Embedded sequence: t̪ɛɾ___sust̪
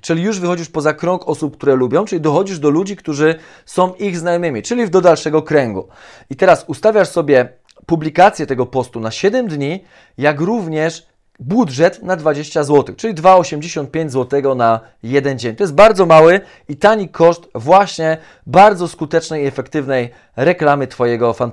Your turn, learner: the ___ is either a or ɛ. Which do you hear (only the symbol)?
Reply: a